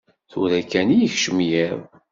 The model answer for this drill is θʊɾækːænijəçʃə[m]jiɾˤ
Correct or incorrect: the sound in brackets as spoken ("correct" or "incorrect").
correct